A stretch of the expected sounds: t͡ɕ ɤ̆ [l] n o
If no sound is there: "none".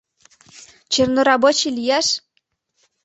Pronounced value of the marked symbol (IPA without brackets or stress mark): r